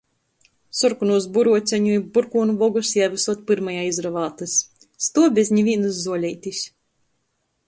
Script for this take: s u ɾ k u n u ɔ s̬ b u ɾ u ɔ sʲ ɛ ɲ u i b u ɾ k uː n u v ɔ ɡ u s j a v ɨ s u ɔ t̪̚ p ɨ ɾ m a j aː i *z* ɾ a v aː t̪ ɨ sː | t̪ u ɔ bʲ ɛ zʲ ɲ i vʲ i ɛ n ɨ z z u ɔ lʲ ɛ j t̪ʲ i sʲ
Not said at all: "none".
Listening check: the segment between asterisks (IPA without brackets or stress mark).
z